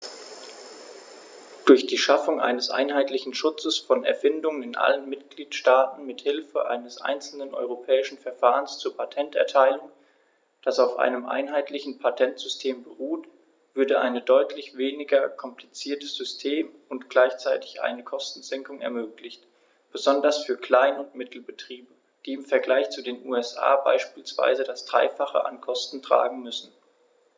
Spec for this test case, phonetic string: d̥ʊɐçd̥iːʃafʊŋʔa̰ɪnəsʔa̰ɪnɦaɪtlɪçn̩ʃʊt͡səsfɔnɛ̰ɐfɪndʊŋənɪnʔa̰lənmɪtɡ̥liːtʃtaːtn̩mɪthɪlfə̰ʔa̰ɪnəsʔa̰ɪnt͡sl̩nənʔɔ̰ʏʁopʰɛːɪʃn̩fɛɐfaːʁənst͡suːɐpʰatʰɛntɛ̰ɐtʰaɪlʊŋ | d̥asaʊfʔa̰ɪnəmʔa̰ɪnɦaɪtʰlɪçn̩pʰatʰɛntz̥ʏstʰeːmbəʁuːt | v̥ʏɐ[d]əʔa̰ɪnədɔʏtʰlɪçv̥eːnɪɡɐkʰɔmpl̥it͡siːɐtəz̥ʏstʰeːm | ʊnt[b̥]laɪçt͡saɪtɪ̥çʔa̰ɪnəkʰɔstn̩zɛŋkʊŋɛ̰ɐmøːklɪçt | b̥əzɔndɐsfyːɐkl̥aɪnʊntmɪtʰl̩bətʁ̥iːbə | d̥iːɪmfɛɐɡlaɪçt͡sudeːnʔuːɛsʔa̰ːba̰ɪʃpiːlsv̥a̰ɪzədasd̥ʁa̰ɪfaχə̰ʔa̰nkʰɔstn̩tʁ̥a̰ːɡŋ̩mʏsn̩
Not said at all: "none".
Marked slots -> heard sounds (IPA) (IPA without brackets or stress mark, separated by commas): d, ɡ̥